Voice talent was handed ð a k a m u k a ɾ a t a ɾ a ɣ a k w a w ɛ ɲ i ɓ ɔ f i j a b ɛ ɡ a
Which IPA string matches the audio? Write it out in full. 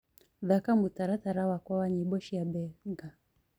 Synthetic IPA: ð a k a m u t a ɾ a t a ɾ a w a k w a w a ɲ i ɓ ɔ ʃ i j a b ɛ ɡ a